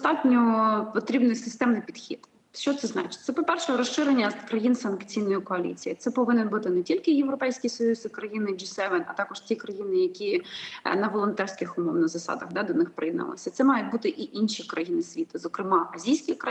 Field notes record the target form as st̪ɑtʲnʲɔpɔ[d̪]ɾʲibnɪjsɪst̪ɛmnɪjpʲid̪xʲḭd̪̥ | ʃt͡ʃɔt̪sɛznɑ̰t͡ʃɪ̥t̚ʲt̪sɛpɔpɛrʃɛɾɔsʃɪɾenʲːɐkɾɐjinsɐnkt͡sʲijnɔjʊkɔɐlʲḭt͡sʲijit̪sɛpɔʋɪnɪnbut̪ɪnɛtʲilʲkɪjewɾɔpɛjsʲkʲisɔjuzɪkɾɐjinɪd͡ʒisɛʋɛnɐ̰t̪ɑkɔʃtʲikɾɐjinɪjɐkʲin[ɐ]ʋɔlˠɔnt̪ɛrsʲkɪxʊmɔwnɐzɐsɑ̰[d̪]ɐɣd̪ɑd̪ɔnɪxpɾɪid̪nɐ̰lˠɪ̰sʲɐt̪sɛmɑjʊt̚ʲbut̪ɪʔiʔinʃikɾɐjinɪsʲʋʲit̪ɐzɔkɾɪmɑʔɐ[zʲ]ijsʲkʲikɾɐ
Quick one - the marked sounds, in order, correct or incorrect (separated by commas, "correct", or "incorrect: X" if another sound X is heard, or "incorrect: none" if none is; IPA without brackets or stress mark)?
incorrect: t̪, correct, correct, correct